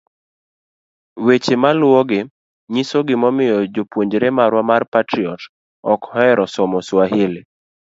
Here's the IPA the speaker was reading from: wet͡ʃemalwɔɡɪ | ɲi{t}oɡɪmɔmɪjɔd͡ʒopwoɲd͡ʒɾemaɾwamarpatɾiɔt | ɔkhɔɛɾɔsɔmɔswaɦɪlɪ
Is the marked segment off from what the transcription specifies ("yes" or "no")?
yes